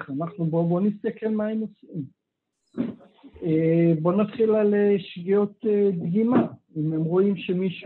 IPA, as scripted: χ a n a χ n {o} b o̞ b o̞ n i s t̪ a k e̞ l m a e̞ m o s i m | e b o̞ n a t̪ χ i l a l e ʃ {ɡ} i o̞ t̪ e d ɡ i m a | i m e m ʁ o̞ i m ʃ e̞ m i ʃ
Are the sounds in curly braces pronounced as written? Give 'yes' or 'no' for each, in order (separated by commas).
no, yes